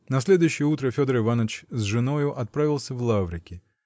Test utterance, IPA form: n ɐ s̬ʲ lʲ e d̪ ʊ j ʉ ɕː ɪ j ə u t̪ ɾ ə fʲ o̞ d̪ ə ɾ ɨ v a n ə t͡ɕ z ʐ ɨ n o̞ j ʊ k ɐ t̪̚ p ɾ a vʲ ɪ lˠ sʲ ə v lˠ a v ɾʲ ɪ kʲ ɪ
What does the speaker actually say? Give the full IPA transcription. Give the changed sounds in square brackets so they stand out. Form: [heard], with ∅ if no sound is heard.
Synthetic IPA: n ɐ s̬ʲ lʲ e d̪ ʊ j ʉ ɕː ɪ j ə u t̪ ɾ ə fʲ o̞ d̪ ə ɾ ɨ v a n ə t͡ɕ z ʐ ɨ n o̞ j ʊ [ʔ] ɐ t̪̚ p ɾ a vʲ ɪ lˠ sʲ ə v lˠ a v ɾʲ ɪ kʲ ɪ

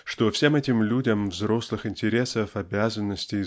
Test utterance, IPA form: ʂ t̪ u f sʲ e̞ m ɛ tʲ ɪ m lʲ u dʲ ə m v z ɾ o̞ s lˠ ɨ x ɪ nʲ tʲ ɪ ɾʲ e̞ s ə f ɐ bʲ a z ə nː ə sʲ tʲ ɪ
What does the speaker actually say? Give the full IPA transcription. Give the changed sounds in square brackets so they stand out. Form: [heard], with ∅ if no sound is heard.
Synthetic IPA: ʂ t̪ [o] f sʲ e̞ m ɛ tʲ ɪ m lʲ u dʲ ə m v z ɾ o̞ s lˠ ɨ x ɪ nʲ tʲ ɪ ɾʲ e̞ s ə f ɐ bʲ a z ə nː ə sʲ tʲ ɪ

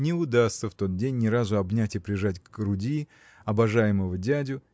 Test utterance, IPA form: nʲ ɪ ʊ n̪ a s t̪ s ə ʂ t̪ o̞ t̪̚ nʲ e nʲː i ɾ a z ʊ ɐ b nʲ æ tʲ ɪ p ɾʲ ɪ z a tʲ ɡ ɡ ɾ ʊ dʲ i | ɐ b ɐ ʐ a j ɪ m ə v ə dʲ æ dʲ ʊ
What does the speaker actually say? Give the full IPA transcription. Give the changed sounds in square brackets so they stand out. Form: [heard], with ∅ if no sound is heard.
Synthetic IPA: nʲ ɪ ʊ [d̪] a s t̪ s ə [f] t̪ o̞ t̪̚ [dʲ] e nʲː [ɪ] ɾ a z ʊ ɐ b nʲ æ tʲ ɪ p ɾʲ ɪ [ʐ] a tʲ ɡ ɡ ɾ ʊ dʲ i | ɐ b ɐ ʐ a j ɪ m ə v ə dʲ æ dʲ ʊ

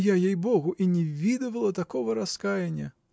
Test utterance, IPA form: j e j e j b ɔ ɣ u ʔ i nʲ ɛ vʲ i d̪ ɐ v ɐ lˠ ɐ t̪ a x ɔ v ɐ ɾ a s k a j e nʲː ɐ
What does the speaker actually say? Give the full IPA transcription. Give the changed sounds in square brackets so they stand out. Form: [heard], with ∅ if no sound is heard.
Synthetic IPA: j [a] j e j b ɔ ɣ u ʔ i nʲ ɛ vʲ i d̪ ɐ v ɐ lˠ ɐ t̪ a [k] ɔ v ɐ ɾ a s k a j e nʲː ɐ

